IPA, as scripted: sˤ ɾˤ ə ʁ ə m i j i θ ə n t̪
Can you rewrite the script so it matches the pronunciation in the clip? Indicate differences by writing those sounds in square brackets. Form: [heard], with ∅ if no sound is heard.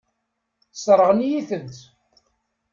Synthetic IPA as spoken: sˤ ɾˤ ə ʁ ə [n] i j i θ ə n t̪